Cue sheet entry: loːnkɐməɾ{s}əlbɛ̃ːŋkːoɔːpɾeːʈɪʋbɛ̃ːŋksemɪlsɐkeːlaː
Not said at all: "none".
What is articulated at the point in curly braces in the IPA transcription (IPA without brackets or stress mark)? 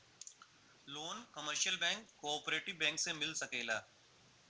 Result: ʃ